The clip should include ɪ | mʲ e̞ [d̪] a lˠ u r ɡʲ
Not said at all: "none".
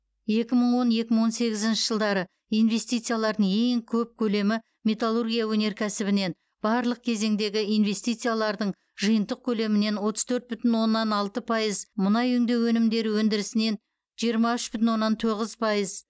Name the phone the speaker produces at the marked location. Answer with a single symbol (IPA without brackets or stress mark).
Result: t̪